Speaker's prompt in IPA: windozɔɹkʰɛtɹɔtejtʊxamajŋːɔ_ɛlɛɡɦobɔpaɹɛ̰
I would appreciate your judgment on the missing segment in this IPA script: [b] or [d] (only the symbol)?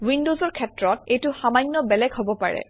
b